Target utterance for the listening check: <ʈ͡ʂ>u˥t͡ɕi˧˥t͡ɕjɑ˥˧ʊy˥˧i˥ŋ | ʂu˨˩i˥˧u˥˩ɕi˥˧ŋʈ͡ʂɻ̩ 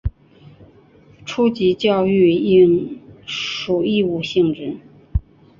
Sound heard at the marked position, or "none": ʈ͡ʂʰ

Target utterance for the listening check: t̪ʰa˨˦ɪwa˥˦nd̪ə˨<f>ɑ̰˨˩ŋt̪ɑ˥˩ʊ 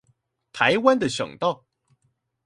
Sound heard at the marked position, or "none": ɕ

